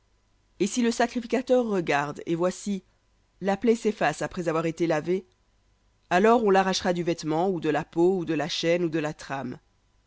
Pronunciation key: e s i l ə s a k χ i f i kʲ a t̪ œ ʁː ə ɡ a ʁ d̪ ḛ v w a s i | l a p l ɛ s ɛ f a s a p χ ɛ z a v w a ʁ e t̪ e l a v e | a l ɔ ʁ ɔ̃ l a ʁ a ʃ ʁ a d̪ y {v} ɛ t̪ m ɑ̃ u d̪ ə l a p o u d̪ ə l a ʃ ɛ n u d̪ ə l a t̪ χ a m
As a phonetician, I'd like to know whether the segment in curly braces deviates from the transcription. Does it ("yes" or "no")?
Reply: no